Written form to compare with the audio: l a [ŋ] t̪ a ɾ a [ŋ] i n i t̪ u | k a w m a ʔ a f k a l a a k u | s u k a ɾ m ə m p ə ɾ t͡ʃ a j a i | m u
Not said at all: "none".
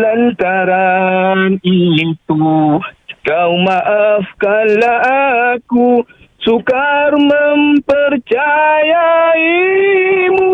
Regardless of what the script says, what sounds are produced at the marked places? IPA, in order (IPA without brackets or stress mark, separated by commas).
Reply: n, n